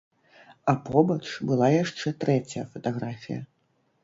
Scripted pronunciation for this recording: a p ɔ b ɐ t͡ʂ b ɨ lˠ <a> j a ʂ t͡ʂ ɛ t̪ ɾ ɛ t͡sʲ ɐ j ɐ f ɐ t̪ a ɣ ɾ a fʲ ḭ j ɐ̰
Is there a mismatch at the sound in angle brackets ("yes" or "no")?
no